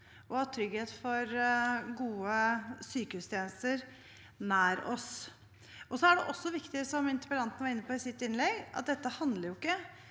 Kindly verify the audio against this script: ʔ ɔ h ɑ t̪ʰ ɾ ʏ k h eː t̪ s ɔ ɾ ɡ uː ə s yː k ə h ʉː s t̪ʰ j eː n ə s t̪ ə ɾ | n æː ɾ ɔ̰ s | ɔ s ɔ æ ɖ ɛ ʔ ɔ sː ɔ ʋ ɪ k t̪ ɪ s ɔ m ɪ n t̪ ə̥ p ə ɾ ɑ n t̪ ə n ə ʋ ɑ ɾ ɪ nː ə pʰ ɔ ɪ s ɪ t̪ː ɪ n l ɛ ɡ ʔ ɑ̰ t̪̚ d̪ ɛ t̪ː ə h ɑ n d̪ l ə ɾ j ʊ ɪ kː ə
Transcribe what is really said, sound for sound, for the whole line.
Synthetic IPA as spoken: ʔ ɔ h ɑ t̪ʰ ɾ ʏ ɡ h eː t̪ f ɔ ɾ ɡ uː ə s yː k ə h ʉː s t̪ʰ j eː n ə s t̪ ə ɾ | n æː ɾ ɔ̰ s | ɔ s ɔ æ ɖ ɛ ʔ ɔ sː ɔ ʋ ɪ k t̪ ɪ s ɔ m ɪ n t̪ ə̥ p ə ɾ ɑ n t̪ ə n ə ʋ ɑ ɾ ɪ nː ə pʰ ɔ ɪ s ɪ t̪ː ɪ n l ɛ ɡ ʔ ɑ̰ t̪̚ d̪ ɛ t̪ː ə h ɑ n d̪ l ə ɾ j ʊ ɪ kː ə

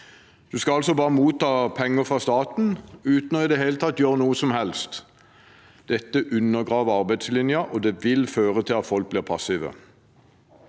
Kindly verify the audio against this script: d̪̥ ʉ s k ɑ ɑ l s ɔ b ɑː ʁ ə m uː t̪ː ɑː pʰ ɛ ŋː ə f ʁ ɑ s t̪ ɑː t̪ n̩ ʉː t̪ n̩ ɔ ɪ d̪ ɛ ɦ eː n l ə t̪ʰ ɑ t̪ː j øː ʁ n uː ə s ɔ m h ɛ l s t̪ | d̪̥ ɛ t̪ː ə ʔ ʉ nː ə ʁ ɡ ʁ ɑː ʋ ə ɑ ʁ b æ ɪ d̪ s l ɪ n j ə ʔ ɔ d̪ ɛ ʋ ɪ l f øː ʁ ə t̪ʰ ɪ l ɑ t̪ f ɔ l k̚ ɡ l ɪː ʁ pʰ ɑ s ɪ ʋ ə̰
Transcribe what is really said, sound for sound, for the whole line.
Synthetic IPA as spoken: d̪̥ ʉ s k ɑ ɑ l s ɔ b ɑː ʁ ə m uː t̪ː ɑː pʰ ɛ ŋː ə f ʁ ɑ s t̪ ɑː t̪ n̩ ʉː t̪ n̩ ɔ ɪ d̪ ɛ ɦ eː l ə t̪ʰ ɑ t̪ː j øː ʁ n uː ə s ɔ m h ɛ l s t̪ | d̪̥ ɛ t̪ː ə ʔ ʉ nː ə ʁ ɡ ʁ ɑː ʋ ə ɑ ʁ b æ ɪ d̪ s l ɪ n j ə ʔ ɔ d̪ ɛ ʋ ɪ l f øː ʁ ə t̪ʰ ɪ l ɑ t̪ f ɔ l k̚ b l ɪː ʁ pʰ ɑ s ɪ ʋ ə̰

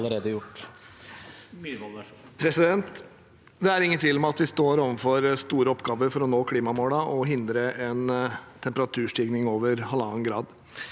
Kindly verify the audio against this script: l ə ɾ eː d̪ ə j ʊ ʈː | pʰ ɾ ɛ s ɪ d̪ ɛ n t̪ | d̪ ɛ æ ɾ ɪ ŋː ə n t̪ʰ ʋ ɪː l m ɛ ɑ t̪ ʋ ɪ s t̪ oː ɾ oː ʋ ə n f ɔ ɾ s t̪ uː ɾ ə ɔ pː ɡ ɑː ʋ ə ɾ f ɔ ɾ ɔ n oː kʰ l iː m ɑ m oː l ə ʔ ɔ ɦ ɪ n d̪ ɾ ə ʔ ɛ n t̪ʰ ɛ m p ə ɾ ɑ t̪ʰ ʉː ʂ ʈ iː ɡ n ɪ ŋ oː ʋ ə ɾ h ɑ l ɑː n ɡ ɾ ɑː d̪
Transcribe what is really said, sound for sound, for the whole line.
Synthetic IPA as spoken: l ə ɾ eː d̪ ə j ʊ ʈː | pʰ ɾ ɛ s ɪ d̪ ɛ n t̪ | d̪ ɛ æ ɾ ɪ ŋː ə n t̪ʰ ʋ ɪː l m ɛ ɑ t̪ ʋ ɪ s t̪ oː ɾ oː ʋ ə n f ɔ ɾ s t̪ uː ɾ ə ɔ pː ɡ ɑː ʋ ə ɾ f ɔ ɾ ɔ n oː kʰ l iː m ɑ m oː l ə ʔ ɔ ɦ ɪ n d̪ ɾ ə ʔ ɛ n t̪ʰ ɛ m p ə ɾ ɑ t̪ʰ ʉː ʂ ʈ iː ɡ n ɪ ŋ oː ʋ ə ɾ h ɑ l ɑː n ɡ ɾ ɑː d̪

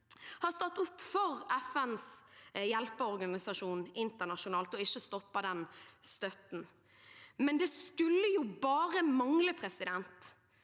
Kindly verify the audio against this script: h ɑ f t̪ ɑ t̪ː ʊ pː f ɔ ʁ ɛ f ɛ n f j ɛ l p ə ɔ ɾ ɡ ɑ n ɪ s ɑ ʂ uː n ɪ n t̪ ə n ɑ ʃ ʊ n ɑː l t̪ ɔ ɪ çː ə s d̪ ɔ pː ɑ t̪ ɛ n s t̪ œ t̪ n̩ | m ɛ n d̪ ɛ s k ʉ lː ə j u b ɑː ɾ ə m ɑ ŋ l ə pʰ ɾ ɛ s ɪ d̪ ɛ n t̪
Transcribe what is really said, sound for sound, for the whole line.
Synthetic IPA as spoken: h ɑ s t̪ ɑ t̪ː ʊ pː f ɔ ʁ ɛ f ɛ n s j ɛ l p ə ɔ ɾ ɡ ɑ n ɪ s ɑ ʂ uː n ɪ n t̪ ə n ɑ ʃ ʊ n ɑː l t̪ ɔ ɪ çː ə s t̪ ɔ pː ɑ d̪ ɛ n s t̪ œ t̪ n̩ | m ɛ n d̪ ɛ s k ʉ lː ə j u b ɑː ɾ ə m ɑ ŋ l ə pʰ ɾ ɛ s ɪ d̪ ɛ n t̪

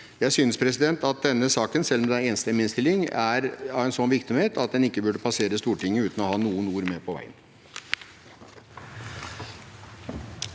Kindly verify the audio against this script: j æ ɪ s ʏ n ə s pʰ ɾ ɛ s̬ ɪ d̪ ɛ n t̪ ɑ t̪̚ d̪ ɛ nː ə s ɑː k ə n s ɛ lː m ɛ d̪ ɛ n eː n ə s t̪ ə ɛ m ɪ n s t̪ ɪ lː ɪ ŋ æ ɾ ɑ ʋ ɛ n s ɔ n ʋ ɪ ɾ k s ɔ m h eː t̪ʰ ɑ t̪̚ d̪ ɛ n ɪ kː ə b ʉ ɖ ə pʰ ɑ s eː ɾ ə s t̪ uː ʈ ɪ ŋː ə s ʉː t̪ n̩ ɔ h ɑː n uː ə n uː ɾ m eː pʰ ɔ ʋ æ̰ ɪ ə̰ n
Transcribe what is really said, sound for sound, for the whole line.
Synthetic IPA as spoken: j æ ɪ s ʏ n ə s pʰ ɾ ɛ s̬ ɪ d̪ ɛ n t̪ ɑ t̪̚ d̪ ɛ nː ə s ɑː k ə n s ɛ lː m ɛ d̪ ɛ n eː n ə s t̪ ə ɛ m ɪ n s t̪ ɪ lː ɪ ŋ æ ɾ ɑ ʋ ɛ n s ɔ n ʋ ɪ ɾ k s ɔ m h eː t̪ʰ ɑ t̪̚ d̪ ɛ n ɪ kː ə b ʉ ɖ ə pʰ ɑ s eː ɾ ə s t̪ uː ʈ ɪ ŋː ə ʉː t̪ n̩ ɔ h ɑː n uː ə n uː ɾ m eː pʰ ɔ ʋ æ̰ ɪ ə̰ n

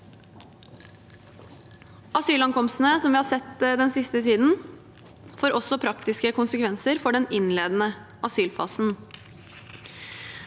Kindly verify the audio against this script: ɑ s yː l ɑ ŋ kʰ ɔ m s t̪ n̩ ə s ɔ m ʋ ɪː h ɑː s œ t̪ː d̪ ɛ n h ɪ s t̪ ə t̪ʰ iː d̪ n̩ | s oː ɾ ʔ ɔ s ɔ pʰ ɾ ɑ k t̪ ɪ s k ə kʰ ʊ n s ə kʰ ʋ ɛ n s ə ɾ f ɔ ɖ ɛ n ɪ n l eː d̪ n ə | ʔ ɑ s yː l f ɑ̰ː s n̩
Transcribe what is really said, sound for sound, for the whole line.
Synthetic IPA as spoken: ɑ s yː l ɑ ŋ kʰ ɔ m s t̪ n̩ ə s ɔ m ʋ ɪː h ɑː s ɛ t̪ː d̪ ɛ n s ɪ s t̪ ə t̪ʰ iː d̪ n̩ | f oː ɾ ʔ ɔ s ɔ pʰ ɾ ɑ k t̪ ɪ s k ə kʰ ʊ n s ə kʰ ʋ ɛ n s ə ɾ f ɔ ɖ ɛ n ɪ n l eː d̪ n ə | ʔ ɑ s yː l f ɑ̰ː s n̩

